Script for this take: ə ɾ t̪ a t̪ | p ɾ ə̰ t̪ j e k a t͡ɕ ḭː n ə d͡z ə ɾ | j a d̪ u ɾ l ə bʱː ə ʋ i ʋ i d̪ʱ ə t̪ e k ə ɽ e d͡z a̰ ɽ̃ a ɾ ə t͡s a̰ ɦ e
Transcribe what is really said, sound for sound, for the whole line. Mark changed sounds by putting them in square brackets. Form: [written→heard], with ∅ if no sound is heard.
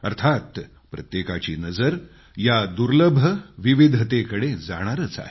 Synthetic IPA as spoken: ə ɾ [t̪→t̪ʰ] a t̪ | p ɾ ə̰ t̪ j e k a t͡ɕ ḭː n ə d͡z ə ɾ | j a d̪ u ɾ l ə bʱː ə ʋ i ʋ i d̪ʱ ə t̪ e k ə ɽ e d͡z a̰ ɽ̃ a ɾ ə t͡s a̰ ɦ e